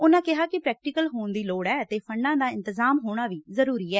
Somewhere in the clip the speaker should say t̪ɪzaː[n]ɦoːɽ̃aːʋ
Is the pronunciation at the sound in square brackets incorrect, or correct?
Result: incorrect